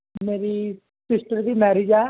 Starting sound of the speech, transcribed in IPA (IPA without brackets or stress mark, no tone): m